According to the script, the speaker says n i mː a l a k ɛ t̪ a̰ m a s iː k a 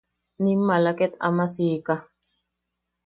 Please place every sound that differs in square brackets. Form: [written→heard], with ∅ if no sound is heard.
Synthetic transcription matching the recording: n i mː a l a k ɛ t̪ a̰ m a s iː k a